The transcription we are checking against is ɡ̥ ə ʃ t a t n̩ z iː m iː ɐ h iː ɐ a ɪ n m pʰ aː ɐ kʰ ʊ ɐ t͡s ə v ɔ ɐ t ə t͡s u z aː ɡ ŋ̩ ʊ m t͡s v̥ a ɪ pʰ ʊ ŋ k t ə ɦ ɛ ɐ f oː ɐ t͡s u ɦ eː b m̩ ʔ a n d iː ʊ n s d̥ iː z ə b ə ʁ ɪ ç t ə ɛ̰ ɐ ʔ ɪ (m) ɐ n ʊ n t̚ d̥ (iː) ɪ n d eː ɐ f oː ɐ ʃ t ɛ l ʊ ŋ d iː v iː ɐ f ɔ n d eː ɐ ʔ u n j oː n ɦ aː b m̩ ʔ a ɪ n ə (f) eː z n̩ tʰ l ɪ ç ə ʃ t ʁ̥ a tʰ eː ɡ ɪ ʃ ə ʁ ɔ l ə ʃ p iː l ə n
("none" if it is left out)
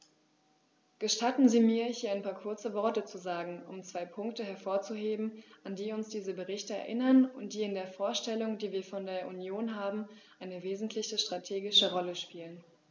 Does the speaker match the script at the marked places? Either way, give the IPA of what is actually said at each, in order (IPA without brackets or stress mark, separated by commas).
n, iː, v